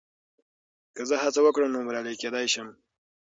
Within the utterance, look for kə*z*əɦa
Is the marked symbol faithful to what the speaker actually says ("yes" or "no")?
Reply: yes